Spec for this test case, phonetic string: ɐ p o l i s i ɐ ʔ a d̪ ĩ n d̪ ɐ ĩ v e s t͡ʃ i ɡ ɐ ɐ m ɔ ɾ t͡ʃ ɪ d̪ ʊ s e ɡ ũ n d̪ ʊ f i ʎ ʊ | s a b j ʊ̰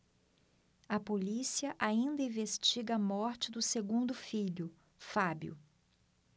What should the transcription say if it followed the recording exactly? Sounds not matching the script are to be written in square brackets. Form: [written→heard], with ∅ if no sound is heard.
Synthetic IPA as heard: ɐ p o l i s i ɐ ʔ a [d̪→∅] ĩ n d̪ ɐ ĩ v e s t͡ʃ i ɡ ɐ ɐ m ɔ ɾ t͡ʃ ɪ d̪ ʊ s e ɡ ũ n d̪ ʊ f i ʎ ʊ | [s→f] a b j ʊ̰